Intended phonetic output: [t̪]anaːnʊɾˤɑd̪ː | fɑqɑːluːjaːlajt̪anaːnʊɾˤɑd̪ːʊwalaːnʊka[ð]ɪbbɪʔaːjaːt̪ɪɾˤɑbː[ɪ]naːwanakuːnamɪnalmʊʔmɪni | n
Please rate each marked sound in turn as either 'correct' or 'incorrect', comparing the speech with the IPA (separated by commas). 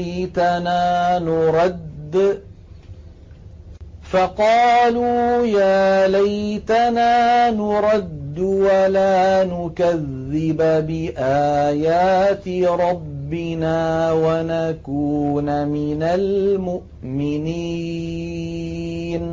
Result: correct, incorrect, correct